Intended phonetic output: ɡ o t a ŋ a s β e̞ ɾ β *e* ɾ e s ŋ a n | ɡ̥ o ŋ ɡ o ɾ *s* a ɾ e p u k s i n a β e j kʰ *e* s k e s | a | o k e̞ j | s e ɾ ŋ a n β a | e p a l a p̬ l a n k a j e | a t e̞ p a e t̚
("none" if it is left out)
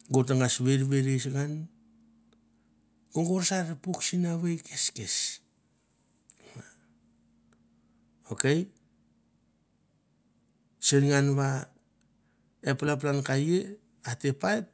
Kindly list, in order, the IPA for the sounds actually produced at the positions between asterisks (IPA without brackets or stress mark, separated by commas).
e, s, e